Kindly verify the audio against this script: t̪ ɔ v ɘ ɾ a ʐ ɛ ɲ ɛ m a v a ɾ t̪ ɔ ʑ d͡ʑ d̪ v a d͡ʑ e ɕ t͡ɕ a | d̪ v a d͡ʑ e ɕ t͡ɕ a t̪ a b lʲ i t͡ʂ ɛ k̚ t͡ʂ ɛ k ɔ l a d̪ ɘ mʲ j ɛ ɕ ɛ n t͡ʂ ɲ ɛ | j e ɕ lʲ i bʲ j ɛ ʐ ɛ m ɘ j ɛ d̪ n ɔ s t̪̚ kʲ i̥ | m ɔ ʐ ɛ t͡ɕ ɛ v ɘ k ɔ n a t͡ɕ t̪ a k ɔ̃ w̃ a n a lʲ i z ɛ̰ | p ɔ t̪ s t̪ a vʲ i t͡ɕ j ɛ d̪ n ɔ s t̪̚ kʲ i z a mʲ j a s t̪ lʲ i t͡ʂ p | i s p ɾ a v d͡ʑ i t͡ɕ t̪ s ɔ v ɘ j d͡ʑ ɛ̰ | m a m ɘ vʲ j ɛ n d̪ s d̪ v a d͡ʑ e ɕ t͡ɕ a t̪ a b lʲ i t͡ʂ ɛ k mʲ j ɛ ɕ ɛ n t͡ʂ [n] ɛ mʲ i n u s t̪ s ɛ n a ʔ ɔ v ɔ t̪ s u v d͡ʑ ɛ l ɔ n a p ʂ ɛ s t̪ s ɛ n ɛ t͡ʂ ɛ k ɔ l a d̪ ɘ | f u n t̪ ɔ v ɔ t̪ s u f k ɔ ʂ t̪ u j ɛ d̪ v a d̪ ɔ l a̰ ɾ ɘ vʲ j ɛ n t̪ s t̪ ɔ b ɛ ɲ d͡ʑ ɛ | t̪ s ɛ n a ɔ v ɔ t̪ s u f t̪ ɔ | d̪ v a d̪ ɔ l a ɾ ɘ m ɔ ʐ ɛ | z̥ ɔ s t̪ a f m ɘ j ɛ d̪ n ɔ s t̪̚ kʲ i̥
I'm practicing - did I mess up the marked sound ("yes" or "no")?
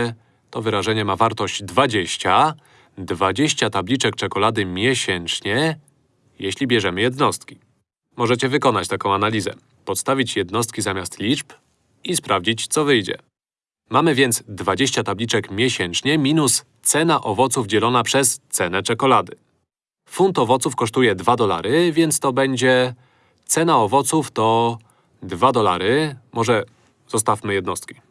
yes